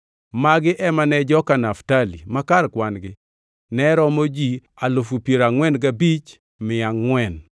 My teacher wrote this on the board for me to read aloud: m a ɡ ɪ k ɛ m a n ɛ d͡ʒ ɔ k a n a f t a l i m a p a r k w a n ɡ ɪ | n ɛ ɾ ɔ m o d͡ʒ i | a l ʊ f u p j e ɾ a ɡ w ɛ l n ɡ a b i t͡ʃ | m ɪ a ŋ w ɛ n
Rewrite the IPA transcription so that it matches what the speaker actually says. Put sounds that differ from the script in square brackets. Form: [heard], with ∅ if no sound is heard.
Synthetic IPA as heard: m a ɡ ɪ [ʔ] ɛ m a n ɛ d͡ʒ ɔ k a n a f t a l i m a [k] a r k w a n ɡ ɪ | n ɛ ɾ ɔ m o d͡ʒ i | a l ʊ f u p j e ɾ a [ŋ] w ɛ [∅] n ɡ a b i t͡ʃ | m ɪ a ŋ w ɛ n